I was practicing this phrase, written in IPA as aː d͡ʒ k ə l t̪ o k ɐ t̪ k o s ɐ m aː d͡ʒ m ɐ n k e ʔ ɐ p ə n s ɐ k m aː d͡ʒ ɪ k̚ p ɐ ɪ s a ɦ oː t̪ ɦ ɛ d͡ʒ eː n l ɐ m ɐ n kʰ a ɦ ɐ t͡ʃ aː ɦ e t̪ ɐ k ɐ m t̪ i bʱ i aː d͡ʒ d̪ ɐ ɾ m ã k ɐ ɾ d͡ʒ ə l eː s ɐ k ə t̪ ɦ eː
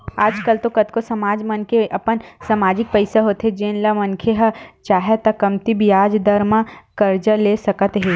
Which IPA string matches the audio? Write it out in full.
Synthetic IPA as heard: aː d͡ʒ k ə l t̪ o k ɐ t̪ k o s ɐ m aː d͡ʒ m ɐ n k e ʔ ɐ p ə n s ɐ m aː d͡ʒ ɪ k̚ p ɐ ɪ s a ɦ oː t̪ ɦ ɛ d͡ʒ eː n l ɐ m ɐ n kʰ e ɦ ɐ t͡ʃ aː ɦ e t̪ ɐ k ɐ m t̪ i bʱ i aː d͡ʒ d̪ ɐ ɾ m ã k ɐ ɾ d͡ʒ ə l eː s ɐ k ə t̪ ɦ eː